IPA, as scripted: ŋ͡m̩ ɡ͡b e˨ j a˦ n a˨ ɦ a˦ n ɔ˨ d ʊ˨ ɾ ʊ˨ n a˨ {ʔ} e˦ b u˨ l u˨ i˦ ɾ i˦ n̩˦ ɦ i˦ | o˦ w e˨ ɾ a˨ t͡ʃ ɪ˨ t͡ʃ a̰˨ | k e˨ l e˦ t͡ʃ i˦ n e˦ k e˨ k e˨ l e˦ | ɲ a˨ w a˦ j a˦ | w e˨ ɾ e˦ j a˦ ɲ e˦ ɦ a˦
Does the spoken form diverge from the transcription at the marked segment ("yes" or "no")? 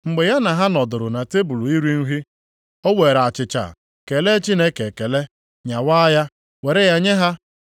yes